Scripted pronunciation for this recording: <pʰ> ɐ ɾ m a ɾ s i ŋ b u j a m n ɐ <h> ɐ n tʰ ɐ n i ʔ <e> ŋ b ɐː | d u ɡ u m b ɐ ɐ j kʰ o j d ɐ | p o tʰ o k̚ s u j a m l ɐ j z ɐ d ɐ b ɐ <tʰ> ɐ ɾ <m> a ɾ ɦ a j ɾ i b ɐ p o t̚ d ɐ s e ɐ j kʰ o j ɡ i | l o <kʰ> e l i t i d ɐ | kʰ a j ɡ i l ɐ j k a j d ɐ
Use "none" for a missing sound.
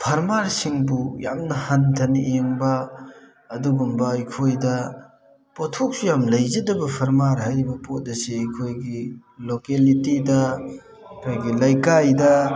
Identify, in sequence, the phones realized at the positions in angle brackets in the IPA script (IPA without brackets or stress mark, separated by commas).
pʰ, h, e, pʰ, m, k